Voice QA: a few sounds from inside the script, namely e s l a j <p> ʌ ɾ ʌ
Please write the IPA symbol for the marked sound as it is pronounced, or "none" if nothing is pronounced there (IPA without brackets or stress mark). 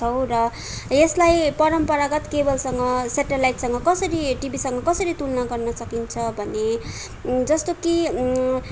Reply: p